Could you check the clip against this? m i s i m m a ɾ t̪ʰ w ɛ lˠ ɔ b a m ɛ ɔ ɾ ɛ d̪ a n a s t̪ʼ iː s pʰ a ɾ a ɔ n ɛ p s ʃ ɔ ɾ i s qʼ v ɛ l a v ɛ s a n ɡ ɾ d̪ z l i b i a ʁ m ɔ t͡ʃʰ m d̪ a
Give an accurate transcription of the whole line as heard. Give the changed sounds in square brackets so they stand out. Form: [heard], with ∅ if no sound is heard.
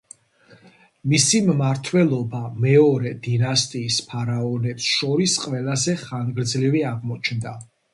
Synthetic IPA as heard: m i s i m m a ɾ t̪ʰ w ɛ lˠ ɔ b a m ɛ ɔ ɾ ɛ d̪ [i] n a s t̪ʼ iː s pʰ a ɾ a ɔ n ɛ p s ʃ ɔ ɾ i s qʼ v ɛ l a [z] ɛ [χ] a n ɡ ɾ d̪ z l i [v] i a ʁ m ɔ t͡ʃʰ [n] d̪ a